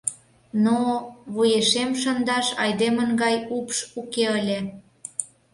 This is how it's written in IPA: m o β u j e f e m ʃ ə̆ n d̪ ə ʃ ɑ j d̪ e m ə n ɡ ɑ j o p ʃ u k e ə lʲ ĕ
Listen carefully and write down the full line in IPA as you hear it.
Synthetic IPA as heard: n o β u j e ʃ e m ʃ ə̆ n d̪ ɑ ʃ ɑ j d̪ e m ə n ɡ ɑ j u p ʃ u k e ə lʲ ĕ